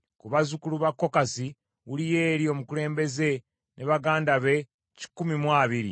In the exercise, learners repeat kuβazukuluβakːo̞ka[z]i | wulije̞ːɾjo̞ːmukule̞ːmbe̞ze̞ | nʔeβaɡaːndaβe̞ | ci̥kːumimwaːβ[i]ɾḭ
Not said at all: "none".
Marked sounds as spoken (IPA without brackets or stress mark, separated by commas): s, i